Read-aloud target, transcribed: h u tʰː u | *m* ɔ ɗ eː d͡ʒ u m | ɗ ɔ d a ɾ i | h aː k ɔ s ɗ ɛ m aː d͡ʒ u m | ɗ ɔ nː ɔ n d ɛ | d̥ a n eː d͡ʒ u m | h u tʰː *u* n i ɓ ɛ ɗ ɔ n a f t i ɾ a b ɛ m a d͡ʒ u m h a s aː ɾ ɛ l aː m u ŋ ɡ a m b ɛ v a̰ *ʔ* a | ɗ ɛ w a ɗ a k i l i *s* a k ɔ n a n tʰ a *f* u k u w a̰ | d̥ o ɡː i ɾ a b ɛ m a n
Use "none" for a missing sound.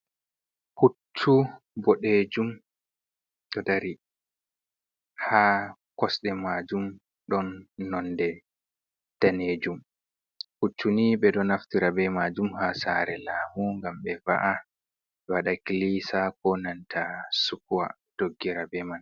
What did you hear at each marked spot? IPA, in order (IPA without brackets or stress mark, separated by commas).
b, u, ʔ, s, s